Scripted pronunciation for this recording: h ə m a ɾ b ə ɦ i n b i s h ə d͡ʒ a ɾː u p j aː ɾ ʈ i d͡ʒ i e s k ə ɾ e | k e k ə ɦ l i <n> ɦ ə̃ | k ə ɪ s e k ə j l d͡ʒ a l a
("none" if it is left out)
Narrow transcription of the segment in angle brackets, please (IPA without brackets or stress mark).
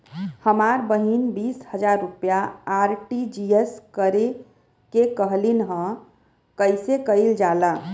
n